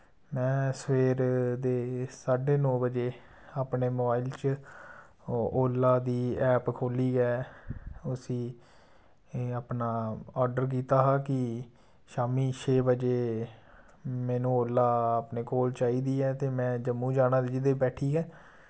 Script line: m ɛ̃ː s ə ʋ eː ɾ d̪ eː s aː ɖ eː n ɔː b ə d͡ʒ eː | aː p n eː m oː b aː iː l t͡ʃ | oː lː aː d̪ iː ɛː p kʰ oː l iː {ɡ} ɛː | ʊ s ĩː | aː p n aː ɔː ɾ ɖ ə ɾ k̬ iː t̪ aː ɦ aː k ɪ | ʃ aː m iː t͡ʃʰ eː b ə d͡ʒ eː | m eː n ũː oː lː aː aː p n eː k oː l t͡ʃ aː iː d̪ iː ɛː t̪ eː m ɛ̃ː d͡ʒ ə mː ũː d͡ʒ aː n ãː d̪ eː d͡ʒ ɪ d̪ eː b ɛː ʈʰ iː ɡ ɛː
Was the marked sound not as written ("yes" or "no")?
no